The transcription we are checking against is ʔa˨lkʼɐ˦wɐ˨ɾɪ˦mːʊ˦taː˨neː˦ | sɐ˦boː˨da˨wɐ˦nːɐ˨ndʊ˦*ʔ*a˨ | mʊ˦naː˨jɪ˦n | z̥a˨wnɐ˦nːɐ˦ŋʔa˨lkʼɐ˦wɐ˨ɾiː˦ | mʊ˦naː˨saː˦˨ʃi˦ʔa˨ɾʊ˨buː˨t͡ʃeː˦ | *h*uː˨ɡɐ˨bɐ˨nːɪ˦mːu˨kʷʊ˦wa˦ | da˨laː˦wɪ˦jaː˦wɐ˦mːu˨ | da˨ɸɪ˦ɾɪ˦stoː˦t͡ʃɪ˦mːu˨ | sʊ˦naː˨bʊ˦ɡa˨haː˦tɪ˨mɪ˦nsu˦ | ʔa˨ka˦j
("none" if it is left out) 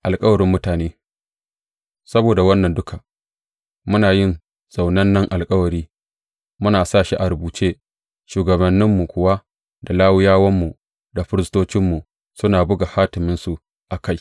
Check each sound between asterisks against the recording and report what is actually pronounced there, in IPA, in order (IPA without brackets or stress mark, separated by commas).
k, ʃ